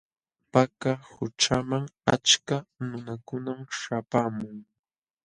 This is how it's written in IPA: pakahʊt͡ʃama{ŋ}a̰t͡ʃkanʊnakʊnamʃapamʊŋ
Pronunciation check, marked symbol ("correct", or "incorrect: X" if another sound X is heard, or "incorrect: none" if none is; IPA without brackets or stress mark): correct